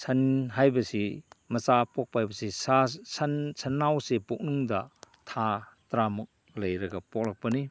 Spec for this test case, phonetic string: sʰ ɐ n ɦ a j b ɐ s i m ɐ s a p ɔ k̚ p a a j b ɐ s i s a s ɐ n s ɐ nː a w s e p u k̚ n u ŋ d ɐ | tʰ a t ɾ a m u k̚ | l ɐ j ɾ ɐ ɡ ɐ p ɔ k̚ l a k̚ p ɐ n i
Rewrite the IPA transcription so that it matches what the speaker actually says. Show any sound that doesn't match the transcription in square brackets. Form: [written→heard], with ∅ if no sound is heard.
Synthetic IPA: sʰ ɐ n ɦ a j b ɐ s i m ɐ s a p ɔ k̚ p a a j b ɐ s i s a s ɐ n s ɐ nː a w s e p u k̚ n u ŋ d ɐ | tʰ a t ɾ a m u k̚ | l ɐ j ɾ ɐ ɡ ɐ p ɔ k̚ l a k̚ p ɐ n i